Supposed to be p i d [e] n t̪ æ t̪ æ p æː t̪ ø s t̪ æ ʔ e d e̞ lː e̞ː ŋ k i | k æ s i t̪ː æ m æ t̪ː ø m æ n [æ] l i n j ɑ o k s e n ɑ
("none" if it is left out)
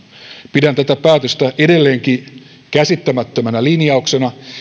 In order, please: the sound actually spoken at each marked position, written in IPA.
æ, æ

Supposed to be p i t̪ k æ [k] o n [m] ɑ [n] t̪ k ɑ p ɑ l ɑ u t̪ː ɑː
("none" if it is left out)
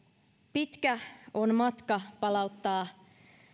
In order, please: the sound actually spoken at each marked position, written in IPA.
none, m, none

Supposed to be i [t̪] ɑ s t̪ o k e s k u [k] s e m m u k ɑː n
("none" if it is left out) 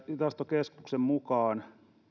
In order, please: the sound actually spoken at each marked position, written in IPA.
t̪, k

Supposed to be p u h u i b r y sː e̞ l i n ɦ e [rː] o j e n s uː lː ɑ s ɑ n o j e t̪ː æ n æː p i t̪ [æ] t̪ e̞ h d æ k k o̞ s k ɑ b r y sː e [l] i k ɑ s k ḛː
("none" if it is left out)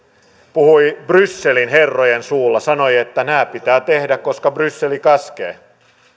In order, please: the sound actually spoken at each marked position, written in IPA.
rː, æː, l

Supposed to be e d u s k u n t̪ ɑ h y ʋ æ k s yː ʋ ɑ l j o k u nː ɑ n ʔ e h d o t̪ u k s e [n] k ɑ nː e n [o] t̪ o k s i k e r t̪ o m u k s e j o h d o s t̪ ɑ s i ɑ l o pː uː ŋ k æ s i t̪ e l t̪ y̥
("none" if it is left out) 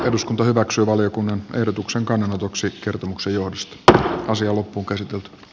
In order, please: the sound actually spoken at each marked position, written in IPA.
ŋ, o

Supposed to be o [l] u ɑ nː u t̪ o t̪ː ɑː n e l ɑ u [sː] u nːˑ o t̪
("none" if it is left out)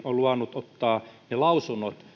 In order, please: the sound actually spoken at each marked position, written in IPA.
l, s

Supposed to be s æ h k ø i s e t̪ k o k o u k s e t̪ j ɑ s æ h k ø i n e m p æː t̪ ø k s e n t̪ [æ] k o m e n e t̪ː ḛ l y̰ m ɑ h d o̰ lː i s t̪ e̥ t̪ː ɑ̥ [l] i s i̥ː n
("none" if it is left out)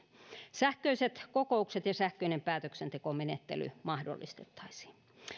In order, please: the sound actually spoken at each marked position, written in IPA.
e, none

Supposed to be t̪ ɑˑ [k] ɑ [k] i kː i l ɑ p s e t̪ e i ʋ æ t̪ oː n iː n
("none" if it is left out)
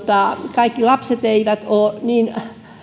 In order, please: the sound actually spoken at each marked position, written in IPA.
k, none

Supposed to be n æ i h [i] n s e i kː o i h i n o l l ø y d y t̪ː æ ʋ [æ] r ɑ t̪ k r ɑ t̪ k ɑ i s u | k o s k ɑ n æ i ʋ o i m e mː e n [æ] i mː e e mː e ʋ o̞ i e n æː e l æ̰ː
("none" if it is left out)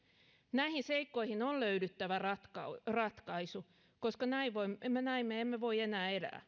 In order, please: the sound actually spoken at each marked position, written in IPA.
i, æ, æ

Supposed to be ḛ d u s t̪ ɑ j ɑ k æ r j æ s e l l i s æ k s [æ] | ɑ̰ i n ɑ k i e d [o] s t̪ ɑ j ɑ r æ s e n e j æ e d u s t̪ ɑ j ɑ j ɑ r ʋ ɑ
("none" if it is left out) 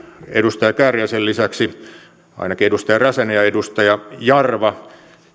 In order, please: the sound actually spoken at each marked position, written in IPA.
i, u

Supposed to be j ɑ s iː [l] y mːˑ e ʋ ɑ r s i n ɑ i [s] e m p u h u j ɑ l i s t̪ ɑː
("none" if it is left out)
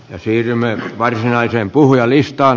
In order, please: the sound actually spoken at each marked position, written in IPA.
r, s

